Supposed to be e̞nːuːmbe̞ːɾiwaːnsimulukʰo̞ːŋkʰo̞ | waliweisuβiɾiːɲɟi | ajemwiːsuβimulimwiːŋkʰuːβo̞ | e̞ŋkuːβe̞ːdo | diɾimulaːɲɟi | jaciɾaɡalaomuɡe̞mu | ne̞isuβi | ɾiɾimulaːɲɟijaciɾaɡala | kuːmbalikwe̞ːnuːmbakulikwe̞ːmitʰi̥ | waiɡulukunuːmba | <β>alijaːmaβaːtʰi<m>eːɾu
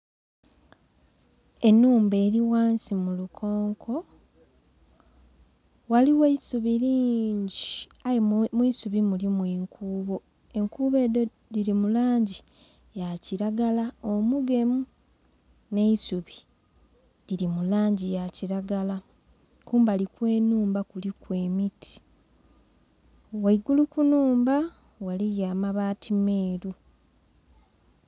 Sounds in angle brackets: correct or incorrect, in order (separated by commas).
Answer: incorrect, correct